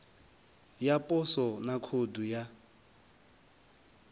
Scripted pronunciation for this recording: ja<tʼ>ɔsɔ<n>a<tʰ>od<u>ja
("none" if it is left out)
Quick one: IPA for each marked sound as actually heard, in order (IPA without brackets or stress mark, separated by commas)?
pʼ, n, kʰ, u